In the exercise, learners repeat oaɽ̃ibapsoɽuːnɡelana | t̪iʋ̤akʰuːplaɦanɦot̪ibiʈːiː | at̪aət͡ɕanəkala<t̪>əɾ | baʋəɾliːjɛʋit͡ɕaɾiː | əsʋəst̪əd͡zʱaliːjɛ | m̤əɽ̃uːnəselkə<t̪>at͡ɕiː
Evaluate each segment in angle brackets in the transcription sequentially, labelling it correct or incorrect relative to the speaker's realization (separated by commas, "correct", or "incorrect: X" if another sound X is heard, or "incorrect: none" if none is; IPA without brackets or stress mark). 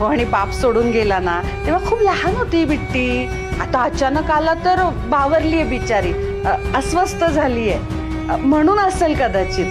correct, incorrect: d̪